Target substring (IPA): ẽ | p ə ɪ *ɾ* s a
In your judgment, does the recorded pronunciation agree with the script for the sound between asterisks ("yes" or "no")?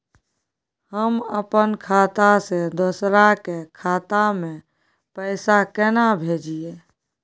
no